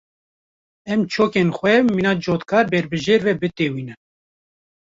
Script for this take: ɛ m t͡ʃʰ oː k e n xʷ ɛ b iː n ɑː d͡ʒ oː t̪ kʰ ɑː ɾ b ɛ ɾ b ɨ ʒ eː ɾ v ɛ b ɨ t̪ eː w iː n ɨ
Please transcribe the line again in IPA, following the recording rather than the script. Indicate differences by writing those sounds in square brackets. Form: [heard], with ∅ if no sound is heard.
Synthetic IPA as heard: ɛ m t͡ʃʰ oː k e n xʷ ɛ [m] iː n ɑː d͡ʒ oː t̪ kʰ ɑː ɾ b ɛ ɾ b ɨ ʒ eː ɾ v ɛ b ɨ t̪ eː w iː n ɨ

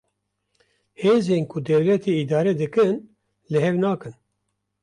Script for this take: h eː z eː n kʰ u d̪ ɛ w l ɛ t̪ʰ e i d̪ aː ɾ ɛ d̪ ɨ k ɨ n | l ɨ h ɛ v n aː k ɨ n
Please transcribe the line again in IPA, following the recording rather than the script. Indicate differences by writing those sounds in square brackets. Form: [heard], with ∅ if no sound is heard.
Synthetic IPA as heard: h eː z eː n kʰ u d̪ ɛ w l ɛ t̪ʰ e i d̪ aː ɾ ɛ d̪ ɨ k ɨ n | l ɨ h ɛ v n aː k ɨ n

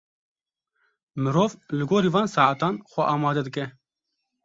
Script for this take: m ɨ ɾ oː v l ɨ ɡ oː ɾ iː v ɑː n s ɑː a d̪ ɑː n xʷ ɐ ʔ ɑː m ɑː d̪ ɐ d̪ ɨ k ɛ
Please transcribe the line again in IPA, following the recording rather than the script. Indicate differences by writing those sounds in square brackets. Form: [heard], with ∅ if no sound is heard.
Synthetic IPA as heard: m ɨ ɾ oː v l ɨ ɡ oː ɾ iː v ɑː n s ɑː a [t̪] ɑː n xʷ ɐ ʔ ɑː m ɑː d̪ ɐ d̪ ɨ k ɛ

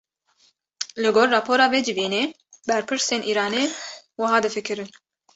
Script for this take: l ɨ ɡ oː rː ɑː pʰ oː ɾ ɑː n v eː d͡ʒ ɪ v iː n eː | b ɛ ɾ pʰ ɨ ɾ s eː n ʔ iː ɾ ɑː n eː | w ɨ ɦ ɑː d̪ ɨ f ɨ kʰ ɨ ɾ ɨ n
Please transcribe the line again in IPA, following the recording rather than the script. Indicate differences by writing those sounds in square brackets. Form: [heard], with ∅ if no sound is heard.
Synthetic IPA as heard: l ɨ ɡ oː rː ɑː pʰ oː ɾ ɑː [∅] v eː d͡ʒ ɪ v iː n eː | b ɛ ɾ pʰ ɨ ɾ s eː n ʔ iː ɾ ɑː n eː | w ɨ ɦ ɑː d̪ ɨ f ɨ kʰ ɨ ɾ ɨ n

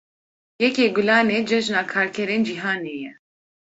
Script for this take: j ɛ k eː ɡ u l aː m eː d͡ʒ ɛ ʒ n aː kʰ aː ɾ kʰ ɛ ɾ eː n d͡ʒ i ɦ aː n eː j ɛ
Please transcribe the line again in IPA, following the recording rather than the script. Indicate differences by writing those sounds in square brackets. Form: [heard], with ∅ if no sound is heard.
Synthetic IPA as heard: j ɛ k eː ɡ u l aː [n] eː d͡ʒ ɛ ʒ n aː kʰ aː ɾ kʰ ɛ ɾ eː n d͡ʒ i ɦ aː n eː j ɛ

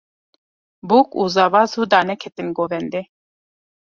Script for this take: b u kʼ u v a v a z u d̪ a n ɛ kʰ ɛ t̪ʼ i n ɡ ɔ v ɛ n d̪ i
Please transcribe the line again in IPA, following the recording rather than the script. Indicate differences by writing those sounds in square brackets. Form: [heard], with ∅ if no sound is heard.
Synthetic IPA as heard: b u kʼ u [z] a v a z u d̪ a n ɛ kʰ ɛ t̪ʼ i n ɡ ɔ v ɛ n d̪ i

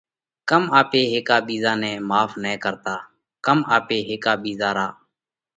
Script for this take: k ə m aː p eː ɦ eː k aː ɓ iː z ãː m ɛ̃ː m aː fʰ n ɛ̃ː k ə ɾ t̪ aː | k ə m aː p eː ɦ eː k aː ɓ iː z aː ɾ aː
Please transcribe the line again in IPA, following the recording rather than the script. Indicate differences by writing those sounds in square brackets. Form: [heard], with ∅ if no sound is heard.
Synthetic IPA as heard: k ə m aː p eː ɦ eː k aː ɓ iː z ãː [n] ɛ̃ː m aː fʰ n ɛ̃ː k ə ɾ t̪ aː | k ə m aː p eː ɦ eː k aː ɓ iː z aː ɾ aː

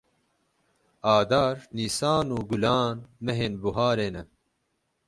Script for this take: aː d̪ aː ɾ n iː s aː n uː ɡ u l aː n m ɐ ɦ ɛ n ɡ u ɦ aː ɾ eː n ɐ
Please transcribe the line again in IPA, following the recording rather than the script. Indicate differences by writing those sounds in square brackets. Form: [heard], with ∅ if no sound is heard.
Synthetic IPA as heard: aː d̪ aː ɾ n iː s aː n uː ɡ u l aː n m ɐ ɦ [e] n [b] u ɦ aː ɾ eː n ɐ

